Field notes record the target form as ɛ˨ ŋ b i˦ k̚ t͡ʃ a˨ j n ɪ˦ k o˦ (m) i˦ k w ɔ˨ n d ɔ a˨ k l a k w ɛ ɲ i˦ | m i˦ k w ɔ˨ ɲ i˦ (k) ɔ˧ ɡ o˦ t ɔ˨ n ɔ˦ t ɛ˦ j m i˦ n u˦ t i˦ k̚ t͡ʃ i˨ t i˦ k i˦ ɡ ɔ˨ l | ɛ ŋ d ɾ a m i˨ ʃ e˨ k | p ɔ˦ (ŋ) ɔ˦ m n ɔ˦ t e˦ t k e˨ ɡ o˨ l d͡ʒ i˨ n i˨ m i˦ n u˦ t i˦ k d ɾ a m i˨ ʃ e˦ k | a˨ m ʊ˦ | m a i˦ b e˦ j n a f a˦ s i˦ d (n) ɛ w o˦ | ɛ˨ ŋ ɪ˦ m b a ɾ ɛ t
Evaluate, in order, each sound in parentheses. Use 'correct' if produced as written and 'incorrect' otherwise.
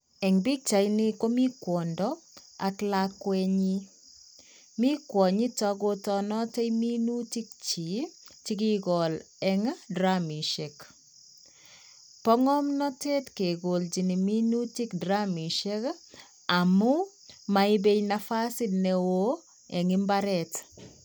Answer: correct, incorrect, correct, correct

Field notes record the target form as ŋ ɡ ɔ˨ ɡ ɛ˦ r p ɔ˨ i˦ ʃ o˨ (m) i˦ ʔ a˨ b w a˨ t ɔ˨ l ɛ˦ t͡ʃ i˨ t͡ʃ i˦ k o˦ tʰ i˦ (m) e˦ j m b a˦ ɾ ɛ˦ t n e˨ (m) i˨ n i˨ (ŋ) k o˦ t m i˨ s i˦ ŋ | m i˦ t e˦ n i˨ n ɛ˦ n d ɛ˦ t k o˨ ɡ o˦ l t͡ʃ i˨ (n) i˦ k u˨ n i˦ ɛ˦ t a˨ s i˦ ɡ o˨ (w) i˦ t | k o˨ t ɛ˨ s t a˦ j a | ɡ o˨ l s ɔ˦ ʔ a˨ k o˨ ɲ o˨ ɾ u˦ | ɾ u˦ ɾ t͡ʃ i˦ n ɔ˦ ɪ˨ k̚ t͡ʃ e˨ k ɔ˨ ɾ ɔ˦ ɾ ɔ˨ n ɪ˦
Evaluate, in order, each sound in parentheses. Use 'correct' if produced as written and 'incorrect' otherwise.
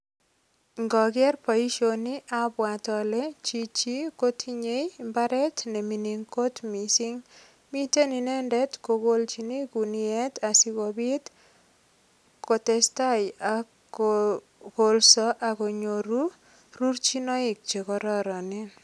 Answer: incorrect, incorrect, correct, correct, correct, incorrect

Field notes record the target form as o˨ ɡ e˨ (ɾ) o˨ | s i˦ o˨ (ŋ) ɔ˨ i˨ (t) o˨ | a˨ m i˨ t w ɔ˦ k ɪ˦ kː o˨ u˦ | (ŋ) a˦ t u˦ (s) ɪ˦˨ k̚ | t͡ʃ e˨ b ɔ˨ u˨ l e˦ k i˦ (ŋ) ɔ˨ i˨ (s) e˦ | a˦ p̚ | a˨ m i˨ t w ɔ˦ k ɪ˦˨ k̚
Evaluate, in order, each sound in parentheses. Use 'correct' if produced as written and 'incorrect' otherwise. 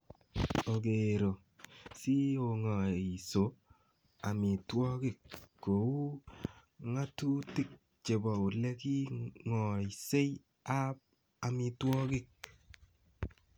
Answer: correct, correct, incorrect, correct, incorrect, correct, correct

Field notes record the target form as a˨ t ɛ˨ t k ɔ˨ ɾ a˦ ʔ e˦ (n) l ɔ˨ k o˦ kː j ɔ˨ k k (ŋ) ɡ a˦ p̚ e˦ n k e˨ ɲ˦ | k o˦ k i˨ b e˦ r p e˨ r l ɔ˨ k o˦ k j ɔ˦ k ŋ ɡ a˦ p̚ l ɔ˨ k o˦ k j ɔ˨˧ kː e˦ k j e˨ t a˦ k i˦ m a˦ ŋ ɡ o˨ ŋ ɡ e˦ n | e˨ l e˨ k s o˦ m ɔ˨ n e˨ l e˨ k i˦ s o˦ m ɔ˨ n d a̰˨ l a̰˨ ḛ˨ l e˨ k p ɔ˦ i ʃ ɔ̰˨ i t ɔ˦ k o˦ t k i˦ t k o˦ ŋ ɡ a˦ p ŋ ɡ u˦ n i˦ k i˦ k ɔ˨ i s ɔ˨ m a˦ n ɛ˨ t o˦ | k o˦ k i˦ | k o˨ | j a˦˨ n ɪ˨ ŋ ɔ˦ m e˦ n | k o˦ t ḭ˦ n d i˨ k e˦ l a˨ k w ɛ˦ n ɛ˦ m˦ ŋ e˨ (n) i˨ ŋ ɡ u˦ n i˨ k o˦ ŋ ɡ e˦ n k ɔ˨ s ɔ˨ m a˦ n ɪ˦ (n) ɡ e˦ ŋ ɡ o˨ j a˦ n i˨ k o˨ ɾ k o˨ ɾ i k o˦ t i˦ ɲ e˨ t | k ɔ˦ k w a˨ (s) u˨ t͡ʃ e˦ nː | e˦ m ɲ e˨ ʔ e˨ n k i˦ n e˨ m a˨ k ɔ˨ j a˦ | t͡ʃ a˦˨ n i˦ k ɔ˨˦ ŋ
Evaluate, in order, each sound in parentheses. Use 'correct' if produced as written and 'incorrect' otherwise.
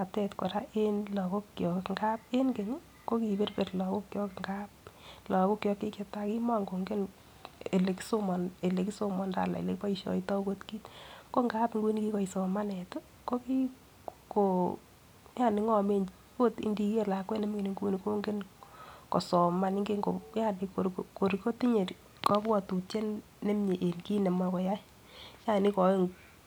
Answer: correct, correct, correct, incorrect, incorrect

